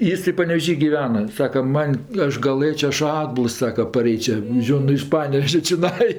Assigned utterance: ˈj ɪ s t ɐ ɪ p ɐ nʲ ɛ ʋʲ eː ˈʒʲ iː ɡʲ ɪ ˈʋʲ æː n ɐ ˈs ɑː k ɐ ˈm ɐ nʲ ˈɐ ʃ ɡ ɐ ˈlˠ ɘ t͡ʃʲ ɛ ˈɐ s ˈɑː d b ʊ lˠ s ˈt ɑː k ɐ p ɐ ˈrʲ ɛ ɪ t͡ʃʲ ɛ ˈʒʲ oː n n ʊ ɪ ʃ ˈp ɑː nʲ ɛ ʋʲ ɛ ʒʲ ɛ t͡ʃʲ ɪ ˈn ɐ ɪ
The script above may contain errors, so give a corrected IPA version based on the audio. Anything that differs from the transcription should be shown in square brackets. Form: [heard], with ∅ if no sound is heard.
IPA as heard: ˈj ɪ s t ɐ ɪ p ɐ nʲ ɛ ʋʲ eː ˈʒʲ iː ɡʲ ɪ ˈʋʲ æː n ɐ ˈs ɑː k ɐ ˈm ɐ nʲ ˈɐ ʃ ɡ ɐ ˈlˠ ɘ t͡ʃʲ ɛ ˈɐ [ʃ] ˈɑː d b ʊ lˠ s [ˈs] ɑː k ɐ p ɐ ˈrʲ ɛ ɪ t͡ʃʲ ɛ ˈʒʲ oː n n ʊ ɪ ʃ ˈp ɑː nʲ ɛ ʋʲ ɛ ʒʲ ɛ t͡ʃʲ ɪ ˈn ɐ ɪ